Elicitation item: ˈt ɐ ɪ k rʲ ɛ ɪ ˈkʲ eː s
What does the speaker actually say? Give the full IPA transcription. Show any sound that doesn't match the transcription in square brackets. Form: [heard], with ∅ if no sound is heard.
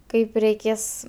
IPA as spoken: [ˈk] ɐ ɪ [p] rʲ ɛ ɪ ˈkʲ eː s

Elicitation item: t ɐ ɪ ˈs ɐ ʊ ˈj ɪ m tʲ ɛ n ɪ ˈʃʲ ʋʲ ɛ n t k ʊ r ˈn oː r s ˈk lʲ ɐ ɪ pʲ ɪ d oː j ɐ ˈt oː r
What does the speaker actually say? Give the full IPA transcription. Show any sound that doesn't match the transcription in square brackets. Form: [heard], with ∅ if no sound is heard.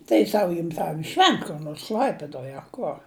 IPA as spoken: t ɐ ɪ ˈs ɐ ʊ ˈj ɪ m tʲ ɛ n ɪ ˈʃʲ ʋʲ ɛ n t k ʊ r ˈn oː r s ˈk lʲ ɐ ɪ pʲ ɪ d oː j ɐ [ˈk] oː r

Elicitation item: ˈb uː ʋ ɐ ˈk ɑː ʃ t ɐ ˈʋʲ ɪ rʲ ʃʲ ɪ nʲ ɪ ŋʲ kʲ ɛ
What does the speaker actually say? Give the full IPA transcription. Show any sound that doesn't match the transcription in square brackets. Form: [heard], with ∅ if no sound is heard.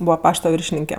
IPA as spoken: ˈb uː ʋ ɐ [ˈp] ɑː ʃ t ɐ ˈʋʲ ɪ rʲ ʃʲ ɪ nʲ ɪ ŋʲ kʲ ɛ

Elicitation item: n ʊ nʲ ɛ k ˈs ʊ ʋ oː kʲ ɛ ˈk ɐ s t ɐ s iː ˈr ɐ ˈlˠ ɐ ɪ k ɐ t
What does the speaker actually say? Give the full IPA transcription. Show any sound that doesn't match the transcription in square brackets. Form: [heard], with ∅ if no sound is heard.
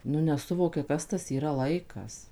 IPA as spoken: n ʊ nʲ ɛ [∅] ˈs ʊ ʋ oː kʲ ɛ ˈk ɐ s t ɐ s iː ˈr ɐ ˈlˠ ɐ ɪ k ɐ [s]

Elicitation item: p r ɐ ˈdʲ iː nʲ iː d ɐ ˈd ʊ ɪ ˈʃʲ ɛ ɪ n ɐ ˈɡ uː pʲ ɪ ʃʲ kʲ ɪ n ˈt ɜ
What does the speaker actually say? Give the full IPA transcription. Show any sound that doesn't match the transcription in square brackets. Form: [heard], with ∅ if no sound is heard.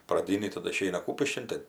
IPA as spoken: p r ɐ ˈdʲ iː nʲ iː [t] ɐ ˈd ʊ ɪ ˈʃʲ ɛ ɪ n ɐ [ˈk] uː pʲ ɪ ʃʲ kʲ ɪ n ˈt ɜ

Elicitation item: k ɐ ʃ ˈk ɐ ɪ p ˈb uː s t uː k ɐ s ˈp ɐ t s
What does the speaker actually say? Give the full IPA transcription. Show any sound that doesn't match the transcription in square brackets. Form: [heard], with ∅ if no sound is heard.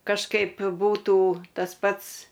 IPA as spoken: k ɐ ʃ ˈk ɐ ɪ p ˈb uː [∅] t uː [t] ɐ s ˈp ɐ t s

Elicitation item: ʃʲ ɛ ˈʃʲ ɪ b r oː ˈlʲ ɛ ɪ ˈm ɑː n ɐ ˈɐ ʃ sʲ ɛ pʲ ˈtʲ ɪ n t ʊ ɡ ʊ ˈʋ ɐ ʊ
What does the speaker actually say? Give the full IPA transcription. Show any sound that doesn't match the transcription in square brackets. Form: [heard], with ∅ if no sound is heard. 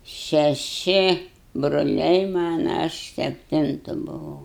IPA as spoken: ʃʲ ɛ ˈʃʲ ɪ b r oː ˈlʲ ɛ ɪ ˈm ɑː n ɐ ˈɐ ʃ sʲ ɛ pʲ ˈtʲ ɪ n t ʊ [b] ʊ ˈʋ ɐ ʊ

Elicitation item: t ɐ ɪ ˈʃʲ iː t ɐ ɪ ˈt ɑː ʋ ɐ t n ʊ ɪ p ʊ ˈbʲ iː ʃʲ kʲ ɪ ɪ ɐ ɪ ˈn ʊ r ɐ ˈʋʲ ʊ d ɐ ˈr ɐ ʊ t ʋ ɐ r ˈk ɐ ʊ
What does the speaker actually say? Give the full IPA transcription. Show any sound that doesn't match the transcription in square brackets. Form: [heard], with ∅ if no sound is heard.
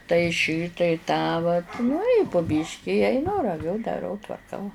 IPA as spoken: t ɐ ɪ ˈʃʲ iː t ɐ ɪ ˈt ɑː ʋ ɐ t n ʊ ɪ p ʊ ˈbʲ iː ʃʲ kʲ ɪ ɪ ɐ ɪ ˈn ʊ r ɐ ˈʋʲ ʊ d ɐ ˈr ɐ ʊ t ʋ ɐ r ˈk ɐ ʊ

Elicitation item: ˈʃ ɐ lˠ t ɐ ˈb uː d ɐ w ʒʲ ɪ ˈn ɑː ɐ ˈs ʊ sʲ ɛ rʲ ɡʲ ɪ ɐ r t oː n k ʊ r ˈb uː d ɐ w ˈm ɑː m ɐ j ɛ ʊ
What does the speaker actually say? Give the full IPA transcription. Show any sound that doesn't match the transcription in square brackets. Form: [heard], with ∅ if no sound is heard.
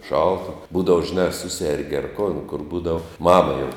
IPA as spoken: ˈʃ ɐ lˠ t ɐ ˈb uː d ɐ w ʒʲ ɪ ˈn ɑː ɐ ˈs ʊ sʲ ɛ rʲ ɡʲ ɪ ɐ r [k] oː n k ʊ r ˈb uː d ɐ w ˈm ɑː m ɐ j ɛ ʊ

